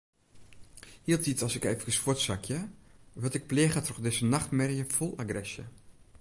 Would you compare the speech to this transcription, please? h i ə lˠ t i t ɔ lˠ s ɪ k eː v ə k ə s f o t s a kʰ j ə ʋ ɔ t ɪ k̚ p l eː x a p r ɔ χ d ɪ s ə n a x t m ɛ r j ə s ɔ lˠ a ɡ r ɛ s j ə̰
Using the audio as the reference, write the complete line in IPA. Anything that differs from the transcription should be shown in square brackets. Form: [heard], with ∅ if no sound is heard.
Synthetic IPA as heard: h i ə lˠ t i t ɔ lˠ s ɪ k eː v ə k ə s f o t s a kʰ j ə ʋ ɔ t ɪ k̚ p l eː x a [t] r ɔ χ d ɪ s ə n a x t m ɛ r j ə [f] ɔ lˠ a ɡ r ɛ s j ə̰